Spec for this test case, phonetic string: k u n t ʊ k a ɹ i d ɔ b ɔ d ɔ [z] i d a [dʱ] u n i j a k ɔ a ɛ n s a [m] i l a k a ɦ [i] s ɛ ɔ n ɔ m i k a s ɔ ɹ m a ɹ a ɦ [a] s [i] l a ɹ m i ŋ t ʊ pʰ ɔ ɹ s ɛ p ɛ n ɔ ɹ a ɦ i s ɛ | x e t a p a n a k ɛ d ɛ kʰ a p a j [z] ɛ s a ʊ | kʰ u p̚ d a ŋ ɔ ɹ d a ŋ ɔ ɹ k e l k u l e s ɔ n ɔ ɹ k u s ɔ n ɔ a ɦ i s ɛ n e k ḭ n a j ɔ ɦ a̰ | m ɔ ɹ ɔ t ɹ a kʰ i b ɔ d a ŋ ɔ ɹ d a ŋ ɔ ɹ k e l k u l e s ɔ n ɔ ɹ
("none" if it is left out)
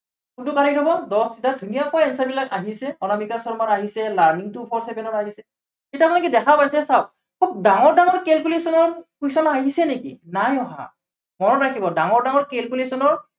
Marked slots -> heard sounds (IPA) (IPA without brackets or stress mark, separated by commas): s, dʱ, b, i, i, ɛ, s